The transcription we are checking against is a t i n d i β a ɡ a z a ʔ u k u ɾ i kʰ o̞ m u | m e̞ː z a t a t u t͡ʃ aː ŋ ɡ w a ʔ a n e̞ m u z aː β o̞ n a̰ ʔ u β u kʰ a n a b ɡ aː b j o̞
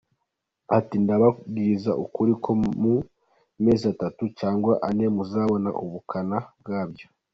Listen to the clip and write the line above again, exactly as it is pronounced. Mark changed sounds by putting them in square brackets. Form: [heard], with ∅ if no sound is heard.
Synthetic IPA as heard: a t i n d [a] β a ɡ [i] z a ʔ u k u ɾ i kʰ o̞ m u | m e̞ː z a t a t u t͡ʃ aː ŋ ɡ w a ʔ a n e̞ m u z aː β o̞ n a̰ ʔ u β u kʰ a n a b ɡ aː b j o̞